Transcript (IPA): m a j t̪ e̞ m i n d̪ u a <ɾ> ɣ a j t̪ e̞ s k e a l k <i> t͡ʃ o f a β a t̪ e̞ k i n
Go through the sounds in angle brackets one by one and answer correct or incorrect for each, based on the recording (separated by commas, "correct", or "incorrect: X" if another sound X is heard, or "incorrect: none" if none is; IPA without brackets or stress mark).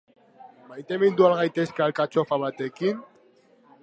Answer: incorrect: l, incorrect: a